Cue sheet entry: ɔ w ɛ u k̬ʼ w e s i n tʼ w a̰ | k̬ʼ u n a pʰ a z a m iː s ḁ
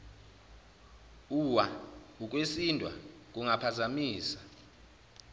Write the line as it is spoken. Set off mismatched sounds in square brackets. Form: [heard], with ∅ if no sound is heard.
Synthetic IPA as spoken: [u] w [a] u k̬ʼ w e s i n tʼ w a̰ | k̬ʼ u [ŋ] a pʰ a z a m iː s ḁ